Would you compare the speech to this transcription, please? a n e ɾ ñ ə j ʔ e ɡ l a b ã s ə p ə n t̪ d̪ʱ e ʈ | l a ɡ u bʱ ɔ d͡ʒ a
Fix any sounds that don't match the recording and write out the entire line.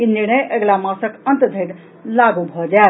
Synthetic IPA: i n i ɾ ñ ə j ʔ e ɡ l a m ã s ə k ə n t̪ d̪ʱ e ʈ | l a ɡ u bʱ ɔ d͡ʒ a

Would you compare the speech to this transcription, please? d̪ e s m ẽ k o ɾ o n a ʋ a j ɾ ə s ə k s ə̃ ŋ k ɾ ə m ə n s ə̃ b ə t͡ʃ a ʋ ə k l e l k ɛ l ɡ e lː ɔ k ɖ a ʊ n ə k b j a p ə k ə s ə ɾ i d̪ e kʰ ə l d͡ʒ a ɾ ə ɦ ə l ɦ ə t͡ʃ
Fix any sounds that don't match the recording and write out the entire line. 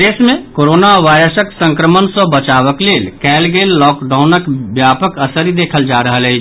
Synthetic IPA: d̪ e s m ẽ k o ɾ o n a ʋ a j ɾ ə s ə k s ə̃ ŋ k ɾ ə m ə n s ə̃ b ə t͡ʃ a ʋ ə k l e l k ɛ l ɡ e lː ɔ k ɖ a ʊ n ə k b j a p ə k ə s ə ɾ i d̪ e kʰ ə l d͡ʒ a ɾ ə ɦ ə l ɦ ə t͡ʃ

